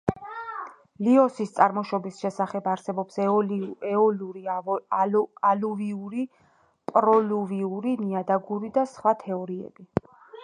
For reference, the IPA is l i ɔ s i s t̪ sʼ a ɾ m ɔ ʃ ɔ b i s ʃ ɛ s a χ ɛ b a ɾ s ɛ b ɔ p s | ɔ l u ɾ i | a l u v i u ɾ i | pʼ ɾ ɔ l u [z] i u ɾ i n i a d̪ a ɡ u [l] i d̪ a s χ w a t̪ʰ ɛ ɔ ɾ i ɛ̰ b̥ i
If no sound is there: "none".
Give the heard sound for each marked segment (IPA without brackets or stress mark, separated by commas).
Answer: v, ɾ